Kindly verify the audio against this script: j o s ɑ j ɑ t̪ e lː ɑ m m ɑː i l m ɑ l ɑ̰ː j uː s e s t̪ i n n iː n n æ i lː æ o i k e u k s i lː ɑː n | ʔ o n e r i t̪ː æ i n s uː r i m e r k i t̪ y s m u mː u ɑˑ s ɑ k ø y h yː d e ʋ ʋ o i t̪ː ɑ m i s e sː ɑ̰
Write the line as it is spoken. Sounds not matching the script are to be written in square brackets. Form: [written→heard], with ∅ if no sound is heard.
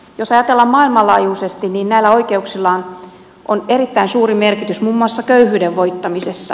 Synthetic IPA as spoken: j o s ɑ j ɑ t̪ e lː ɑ m m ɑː i l m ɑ l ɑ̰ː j uː s e s t̪ i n n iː n n æ i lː æ o i k e u k s i lː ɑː n | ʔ o n e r i t̪ː æ i n s uː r i m e r k i t̪ y s m u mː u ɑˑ [s→sː] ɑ k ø y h yː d e ʋ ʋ o i t̪ː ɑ m i s e sː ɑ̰